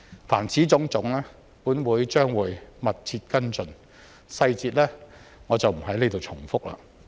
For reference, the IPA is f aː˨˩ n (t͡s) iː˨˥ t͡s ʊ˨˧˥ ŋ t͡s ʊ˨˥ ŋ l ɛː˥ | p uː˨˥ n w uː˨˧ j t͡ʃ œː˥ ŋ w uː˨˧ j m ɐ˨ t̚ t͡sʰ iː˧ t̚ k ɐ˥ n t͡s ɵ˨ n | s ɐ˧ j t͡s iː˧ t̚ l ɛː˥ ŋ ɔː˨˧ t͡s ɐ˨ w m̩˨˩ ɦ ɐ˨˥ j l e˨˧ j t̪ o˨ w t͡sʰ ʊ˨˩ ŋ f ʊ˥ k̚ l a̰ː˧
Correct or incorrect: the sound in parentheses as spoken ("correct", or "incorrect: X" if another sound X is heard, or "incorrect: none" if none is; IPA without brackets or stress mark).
incorrect: t͡sʰ